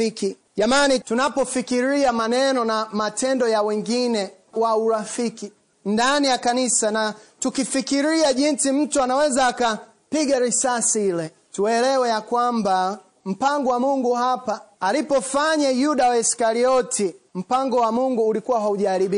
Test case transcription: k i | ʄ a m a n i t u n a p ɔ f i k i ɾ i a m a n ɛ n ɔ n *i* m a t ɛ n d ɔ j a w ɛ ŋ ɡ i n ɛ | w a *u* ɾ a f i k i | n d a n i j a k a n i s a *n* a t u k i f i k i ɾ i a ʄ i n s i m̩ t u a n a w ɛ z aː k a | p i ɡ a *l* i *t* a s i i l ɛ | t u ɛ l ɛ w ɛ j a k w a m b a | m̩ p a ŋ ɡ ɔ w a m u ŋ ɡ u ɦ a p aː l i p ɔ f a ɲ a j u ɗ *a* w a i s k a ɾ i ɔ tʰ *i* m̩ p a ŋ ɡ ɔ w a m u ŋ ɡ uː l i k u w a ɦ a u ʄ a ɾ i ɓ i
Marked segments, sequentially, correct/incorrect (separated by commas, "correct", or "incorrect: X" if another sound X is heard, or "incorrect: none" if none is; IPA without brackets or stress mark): incorrect: a, correct, correct, incorrect: ɾ, incorrect: s, correct, correct